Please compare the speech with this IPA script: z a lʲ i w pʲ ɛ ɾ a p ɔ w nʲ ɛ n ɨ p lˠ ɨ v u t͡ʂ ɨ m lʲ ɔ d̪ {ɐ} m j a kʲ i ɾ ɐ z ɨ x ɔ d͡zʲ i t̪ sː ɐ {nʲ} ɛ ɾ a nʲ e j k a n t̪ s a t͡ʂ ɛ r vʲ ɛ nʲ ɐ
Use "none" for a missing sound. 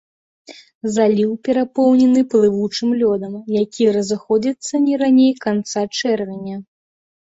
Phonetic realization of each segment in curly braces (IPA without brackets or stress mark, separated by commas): ɐ, nʲ